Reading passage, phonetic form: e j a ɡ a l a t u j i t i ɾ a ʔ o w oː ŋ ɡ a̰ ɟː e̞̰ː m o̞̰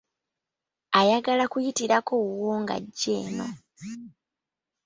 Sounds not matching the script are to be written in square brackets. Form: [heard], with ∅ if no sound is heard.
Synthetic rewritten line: [a] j a ɡ a l a [k] u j i t i ɾ a [k] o w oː ŋ ɡ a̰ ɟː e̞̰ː [n] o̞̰